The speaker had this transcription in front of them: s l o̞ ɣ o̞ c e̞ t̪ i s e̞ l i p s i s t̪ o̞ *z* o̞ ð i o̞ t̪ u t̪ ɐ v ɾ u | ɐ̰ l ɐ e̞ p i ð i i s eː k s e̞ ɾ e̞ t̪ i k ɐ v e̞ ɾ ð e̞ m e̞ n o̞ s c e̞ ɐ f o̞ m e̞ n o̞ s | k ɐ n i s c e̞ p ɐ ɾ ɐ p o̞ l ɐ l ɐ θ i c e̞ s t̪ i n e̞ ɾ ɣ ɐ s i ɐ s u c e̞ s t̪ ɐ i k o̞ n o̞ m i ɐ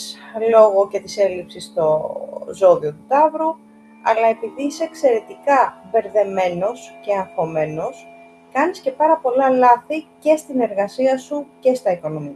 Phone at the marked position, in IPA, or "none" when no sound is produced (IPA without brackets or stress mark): z